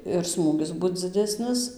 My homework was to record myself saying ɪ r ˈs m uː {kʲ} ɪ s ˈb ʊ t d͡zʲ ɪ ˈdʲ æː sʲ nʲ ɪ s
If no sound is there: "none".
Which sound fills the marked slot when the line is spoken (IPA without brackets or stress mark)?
ɡʲ